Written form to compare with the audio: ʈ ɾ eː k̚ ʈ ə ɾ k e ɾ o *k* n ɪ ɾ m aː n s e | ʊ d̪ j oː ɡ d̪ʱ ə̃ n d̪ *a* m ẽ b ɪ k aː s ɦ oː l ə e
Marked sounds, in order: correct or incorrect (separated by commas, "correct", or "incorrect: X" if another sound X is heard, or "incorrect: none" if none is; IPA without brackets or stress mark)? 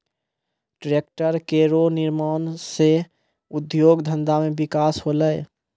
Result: incorrect: none, correct